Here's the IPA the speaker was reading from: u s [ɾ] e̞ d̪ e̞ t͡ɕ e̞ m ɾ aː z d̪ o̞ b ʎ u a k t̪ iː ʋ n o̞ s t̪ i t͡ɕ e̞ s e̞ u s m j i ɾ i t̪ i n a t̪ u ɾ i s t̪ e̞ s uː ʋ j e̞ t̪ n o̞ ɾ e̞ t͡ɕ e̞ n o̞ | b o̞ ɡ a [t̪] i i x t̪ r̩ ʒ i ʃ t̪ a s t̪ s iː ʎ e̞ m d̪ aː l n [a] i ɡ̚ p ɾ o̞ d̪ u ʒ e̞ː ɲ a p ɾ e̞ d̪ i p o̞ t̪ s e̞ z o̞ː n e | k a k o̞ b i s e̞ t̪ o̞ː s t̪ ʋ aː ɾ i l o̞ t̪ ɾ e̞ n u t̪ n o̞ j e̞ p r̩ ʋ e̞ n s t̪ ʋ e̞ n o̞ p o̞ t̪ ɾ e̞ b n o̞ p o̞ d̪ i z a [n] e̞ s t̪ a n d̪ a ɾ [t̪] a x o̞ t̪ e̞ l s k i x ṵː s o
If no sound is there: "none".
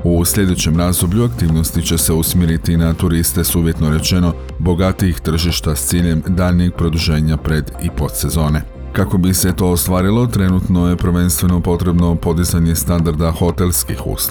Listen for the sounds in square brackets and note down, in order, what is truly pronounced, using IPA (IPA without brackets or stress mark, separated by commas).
ʎ, t̪, i, ɲ, d̪